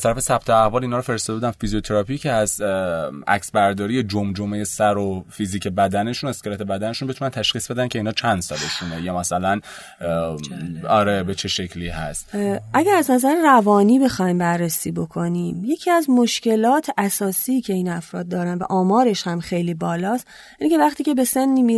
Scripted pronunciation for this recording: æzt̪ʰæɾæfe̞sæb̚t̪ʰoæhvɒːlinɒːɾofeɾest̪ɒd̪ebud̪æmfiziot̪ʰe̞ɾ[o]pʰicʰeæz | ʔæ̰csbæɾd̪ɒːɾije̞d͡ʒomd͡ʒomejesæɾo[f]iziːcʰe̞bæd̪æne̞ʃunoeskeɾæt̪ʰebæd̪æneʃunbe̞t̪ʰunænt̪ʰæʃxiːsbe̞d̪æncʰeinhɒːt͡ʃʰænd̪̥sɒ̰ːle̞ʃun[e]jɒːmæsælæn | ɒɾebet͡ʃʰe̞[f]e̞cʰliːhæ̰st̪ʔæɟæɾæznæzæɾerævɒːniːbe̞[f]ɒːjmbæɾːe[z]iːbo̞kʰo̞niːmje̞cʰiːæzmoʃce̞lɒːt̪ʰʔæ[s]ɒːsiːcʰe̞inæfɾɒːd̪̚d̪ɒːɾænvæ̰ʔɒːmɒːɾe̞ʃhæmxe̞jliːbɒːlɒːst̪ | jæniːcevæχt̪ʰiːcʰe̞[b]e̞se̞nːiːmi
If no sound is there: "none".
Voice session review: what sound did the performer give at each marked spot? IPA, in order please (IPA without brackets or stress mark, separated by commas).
ɒ, f, e, ʃ, x, s, s, b